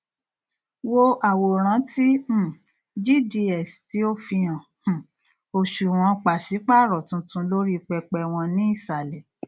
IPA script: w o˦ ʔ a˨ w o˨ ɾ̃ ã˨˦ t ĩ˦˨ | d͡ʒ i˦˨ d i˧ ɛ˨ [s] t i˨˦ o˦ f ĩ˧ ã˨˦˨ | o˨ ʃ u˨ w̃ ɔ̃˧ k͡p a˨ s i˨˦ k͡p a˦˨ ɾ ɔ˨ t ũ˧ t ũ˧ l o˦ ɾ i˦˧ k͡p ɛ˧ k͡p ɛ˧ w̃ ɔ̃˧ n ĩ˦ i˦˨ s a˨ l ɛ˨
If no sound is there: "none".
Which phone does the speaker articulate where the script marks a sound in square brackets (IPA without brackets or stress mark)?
s